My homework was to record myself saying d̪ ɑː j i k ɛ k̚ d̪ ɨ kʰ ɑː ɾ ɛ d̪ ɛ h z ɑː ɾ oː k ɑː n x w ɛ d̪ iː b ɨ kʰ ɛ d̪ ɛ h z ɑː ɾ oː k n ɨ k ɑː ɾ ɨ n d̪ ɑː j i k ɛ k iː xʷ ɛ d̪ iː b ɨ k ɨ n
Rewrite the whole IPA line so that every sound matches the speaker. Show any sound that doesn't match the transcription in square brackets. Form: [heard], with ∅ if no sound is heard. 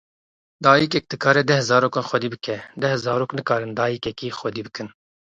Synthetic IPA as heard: d̪ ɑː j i k ɛ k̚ d̪ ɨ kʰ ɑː ɾ ɛ d̪ ɛ h z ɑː ɾ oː k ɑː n x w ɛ d̪ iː b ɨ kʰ ɛ d̪ ɛ h z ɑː ɾ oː k n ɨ k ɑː ɾ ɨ n d̪ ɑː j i k ɛ k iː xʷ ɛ d̪ iː b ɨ k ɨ n